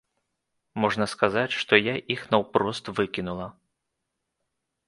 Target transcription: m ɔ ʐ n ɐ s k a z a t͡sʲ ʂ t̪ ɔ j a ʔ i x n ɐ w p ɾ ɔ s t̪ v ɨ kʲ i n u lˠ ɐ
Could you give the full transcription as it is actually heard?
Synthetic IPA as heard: m ɔ ʐ n ɐ s k a z a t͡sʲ ʂ t̪ ɔ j a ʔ i x n ɐ w p ɾ ɔ s t̪ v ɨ kʲ i n u lˠ ɐ